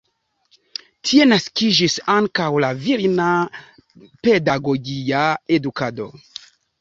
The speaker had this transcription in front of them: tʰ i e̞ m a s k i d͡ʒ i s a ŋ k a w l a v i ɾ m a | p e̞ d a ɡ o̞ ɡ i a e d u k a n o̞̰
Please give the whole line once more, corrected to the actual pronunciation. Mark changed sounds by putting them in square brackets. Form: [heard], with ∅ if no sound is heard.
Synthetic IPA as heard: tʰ i e̞ [n] a s k i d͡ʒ i s a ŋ k a w l a v i ɾ [n] a | p e̞ d a ɡ o̞ ɡ i a e d u k a [d] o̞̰